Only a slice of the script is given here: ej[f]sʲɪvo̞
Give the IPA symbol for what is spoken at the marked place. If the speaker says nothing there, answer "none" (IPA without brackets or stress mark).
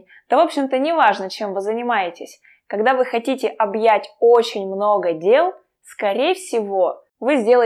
f